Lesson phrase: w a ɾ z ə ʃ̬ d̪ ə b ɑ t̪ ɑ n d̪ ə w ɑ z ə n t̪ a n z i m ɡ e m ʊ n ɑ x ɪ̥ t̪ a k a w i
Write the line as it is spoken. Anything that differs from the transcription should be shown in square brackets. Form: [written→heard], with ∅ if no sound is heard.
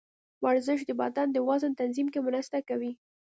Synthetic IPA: w a ɾ z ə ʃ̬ d̪ ə b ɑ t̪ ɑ n d̪ ə w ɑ z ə n t̪ a n z i m [ɡ→k] e m ʊ n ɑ [x→s] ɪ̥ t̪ a k a w i